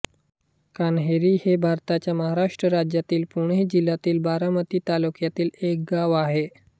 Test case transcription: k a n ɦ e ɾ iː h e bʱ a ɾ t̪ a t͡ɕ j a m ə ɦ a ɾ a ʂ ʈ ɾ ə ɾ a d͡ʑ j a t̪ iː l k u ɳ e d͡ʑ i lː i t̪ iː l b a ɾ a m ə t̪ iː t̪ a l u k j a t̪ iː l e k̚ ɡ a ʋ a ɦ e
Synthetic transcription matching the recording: k a n ɦ e ɾ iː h e bʱ a ɾ t̪ a t͡ɕ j a m ə ɦ a ɾ a ʂ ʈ ɾ ə ɾ a d͡ʑ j a t̪ iː l p u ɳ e d͡ʑ i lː a t̪ iː l b a ɾ a m ə t̪ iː t̪ a l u k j a t̪ iː l e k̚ ɡ a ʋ a ɦ e